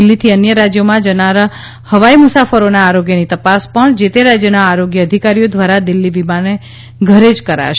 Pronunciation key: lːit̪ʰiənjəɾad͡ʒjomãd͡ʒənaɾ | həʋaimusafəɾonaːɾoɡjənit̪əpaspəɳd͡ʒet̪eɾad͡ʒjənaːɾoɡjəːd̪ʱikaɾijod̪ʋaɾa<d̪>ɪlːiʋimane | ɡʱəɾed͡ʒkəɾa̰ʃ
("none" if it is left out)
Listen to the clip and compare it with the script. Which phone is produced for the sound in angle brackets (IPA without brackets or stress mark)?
d̪